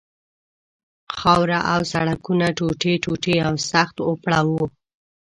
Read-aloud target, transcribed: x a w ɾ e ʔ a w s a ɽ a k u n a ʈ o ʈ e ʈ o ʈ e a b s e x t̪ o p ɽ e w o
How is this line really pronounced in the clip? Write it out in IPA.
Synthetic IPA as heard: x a w ɾ a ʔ a w s a ɽ a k u n a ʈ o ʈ e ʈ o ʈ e a w s a x t̪ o p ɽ a w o